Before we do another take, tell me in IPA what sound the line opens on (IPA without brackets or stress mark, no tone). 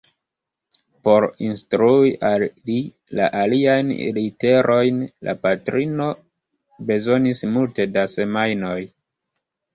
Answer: p